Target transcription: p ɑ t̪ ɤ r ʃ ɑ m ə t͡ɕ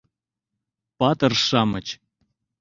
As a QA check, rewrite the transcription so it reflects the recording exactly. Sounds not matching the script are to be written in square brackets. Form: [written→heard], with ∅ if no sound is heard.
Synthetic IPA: p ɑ t̪ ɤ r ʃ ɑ m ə t͡ɕ